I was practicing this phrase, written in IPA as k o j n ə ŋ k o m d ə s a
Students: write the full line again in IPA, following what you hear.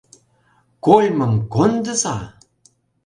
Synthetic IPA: k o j m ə ŋ k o n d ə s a